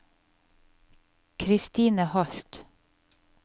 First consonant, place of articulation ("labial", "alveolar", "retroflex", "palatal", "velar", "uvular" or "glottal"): velar